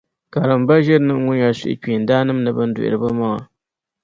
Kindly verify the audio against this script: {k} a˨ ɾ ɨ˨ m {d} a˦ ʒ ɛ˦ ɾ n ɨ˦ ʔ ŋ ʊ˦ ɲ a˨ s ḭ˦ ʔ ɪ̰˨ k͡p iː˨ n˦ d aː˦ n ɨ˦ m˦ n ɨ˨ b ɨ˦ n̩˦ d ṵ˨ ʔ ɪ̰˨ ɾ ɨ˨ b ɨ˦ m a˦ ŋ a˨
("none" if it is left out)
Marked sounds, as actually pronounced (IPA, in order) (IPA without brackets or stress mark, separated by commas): k, b